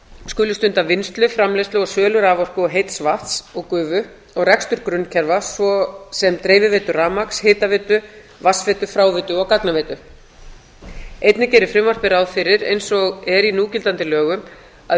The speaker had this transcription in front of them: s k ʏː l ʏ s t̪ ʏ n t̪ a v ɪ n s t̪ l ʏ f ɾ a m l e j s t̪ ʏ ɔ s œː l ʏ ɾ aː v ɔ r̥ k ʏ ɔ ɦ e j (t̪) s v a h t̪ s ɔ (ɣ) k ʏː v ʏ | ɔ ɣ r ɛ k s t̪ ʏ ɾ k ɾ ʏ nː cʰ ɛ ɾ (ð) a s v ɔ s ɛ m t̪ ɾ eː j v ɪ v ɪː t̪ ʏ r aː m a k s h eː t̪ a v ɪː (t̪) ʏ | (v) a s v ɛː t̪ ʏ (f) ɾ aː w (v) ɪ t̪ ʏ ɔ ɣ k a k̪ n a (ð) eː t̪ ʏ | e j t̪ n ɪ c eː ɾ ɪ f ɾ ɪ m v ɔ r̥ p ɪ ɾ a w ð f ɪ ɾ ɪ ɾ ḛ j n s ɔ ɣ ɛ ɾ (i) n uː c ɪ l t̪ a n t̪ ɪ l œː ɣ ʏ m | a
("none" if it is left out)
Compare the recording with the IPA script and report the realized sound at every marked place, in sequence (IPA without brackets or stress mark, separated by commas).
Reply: t̪, ɣ, v, t̪, v, f, v, v, i